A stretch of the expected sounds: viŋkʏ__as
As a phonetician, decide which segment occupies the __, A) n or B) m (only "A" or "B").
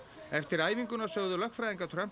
A